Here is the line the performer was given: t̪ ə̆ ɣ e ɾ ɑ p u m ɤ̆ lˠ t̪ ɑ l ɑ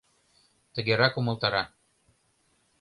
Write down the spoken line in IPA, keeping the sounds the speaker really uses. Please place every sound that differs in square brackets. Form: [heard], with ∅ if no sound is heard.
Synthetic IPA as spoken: t̪ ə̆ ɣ e ɾ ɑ [k] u m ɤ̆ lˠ t̪ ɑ [ɾ] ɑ